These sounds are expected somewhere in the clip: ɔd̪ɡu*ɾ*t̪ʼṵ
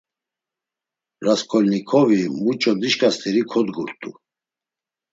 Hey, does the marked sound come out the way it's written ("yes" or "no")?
yes